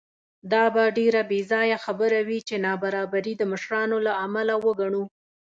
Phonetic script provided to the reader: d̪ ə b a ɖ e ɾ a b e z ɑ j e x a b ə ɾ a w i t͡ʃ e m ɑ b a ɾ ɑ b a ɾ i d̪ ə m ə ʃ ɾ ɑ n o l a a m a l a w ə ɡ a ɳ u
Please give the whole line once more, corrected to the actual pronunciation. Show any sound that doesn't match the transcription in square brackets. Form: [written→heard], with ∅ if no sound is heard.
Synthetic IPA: d̪ [ə→ɑ] b a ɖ e ɾ a b e z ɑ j [e→a] x a b ə ɾ a w i t͡ʃ e [m→n] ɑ b a ɾ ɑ b a ɾ i d̪ ə m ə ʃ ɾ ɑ n o l a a m a l a w ə ɡ a ɳ u